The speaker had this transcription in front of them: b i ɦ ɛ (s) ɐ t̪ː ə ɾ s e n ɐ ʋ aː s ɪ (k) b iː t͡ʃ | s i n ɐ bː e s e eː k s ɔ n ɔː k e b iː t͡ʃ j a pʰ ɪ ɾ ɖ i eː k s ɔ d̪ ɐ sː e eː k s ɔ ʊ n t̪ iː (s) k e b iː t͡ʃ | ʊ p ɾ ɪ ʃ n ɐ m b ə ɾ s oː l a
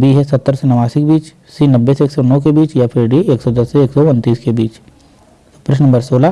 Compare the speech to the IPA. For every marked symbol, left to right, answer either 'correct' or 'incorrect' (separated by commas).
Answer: correct, correct, correct